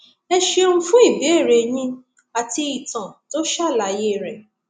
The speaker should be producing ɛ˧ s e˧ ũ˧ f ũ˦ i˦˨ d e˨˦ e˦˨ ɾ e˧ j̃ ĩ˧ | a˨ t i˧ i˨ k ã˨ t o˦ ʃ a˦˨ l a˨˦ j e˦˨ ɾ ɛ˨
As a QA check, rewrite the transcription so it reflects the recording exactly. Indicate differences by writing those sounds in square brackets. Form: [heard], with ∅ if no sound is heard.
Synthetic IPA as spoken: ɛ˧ [ʃ] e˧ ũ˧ f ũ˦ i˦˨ [b] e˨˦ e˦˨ ɾ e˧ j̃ ĩ˧ | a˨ t i˧ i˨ [t] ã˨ t o˦ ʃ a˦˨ l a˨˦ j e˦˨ ɾ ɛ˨